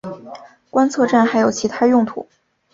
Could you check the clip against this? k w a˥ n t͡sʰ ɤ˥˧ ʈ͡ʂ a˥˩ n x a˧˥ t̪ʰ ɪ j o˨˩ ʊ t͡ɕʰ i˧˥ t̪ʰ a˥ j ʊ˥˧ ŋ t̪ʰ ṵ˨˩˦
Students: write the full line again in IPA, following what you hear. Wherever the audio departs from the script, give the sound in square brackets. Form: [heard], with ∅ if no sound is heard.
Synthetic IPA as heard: k w a˥ n t͡sʰ ɤ˥˧ ʈ͡ʂ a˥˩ n x a˧˥ [∅] ɪ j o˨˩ ʊ t͡ɕʰ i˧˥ t̪ʰ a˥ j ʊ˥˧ ŋ t̪ʰ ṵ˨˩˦

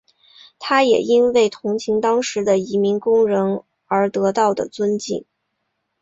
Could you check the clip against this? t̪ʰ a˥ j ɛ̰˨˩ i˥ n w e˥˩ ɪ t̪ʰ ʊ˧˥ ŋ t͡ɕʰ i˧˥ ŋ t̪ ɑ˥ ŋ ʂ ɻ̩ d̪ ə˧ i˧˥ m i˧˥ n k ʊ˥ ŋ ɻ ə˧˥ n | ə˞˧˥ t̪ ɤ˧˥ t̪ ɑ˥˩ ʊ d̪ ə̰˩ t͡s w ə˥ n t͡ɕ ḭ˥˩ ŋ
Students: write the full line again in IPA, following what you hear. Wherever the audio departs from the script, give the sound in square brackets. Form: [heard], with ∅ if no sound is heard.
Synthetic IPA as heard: t̪ʰ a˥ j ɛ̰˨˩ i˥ n w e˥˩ ɪ t̪ʰ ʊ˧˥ ŋ t͡ɕʰ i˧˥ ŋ t̪ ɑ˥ ŋ ʂ ɻ̩ d̪ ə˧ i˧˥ m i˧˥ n k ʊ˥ ŋ ɻ ə˧˥ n | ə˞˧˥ t̪ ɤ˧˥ t̪ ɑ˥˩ ʊ d̪ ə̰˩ t͡s w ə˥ n t͡ɕ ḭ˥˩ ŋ

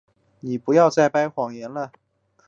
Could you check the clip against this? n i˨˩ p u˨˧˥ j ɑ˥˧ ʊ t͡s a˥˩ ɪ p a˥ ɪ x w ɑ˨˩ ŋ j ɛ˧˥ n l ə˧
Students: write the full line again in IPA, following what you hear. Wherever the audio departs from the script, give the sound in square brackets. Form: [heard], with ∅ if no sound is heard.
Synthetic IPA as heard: n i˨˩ p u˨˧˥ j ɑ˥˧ ʊ t͡s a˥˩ ɪ p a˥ ɪ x w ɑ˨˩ ŋ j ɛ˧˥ n l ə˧

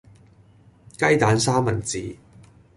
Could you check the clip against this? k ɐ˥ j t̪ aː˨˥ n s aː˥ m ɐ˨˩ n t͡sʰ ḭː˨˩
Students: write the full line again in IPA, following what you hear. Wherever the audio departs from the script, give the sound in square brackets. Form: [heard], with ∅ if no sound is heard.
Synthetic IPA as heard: k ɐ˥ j t̪ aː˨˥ n s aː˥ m ɐ˨˩ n [t͡s] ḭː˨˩

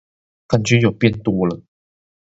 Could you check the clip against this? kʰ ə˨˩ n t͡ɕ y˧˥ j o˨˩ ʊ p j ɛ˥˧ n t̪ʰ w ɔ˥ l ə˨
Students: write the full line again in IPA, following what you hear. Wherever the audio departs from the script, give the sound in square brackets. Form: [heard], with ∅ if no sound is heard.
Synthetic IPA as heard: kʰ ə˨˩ n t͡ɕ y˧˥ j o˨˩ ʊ p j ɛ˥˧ n [t̪] w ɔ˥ l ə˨

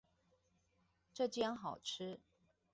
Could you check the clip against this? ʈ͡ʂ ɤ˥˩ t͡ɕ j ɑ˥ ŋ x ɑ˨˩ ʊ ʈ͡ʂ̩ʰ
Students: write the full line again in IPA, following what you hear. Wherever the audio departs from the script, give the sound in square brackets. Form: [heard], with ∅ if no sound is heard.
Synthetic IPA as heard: ʈ͡ʂ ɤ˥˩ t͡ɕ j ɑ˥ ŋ x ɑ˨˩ ʊ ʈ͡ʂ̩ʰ

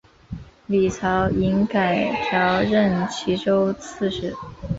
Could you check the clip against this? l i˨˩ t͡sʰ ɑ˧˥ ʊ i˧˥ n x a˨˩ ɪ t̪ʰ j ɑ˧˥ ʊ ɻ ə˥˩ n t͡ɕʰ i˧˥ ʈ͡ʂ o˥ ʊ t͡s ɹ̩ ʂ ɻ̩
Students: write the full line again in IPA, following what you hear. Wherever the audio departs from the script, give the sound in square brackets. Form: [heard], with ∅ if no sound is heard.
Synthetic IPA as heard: l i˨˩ t͡sʰ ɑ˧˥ ʊ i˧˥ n [k] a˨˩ ɪ t̪ʰ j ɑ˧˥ ʊ ɻ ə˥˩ n t͡ɕʰ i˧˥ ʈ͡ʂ o˥ ʊ [t͡sʰ] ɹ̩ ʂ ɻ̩

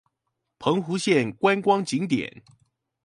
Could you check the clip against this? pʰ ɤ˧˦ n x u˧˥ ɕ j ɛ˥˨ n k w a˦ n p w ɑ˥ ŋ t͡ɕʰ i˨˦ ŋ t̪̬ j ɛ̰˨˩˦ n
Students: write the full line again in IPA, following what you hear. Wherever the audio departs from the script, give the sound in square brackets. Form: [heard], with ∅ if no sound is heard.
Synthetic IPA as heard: pʰ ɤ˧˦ [ŋ] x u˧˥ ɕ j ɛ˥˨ n k w a˦ n [k] w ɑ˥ ŋ [t͡ɕ] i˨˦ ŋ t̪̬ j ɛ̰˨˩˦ n

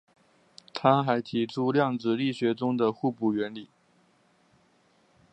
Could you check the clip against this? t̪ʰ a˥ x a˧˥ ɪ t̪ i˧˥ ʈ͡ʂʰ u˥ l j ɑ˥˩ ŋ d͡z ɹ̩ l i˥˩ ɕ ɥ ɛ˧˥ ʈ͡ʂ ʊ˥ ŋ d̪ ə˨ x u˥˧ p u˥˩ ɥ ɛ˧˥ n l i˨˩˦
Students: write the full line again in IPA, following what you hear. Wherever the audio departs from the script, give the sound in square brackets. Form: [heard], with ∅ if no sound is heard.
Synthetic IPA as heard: t̪ʰ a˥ x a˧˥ ɪ [t̪ʰ] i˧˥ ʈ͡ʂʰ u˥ l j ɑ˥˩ ŋ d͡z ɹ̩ l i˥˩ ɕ ɥ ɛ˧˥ ʈ͡ʂ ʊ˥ ŋ d̪ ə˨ x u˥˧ p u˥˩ ɥ ɛ˧˥ n l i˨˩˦

